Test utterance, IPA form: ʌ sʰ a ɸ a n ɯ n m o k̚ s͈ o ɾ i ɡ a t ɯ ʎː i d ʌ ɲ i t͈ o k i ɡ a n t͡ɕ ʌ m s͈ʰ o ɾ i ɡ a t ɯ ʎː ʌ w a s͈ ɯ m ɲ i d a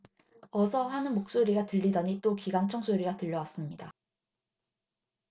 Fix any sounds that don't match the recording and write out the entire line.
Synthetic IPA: ʌ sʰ ʌ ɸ a n ɯ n m o k̚ s͈ o ɾ i ɡ a t ɯ ʎː i d ʌ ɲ i t͈ o k i ɡ a n t͡ɕʰ ʌ ŋ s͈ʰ o ɾ i ɡ a t ɯ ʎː ʌ w a s͈ ɯ m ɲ i d a

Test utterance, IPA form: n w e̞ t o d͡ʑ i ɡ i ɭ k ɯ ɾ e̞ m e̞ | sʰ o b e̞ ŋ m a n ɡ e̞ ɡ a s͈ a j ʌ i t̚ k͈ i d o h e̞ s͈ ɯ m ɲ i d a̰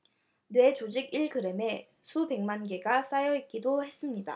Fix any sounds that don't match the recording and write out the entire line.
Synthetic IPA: n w e̞ t͡ɕ o d͡ʑ i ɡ i ɭ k ɯ ɾ e̞ m e̞ | sʰ u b e̞ ŋ m a n ɡ e̞ ɡ a s͈ a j ʌ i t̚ k͈ i d o h e̞ s͈ ɯ m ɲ i d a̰

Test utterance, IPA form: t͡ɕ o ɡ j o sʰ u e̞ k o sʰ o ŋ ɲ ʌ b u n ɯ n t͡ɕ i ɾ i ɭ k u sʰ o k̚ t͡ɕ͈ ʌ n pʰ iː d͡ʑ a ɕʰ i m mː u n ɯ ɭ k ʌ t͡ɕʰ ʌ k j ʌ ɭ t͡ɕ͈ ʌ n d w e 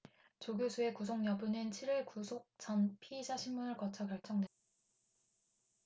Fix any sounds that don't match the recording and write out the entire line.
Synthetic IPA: t͡ɕ o ɡ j o sʰ u e̞ k u sʰ o ŋ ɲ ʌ b u n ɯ n t͡ɕʰ i ɾ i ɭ k u sʰ o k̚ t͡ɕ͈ ʌ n pʰ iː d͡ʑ a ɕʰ i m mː u n ɯ ɭ k ʌ t͡ɕʰ ʌ k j ʌ ɭ t͡ɕ͈ ʌ ŋ d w e

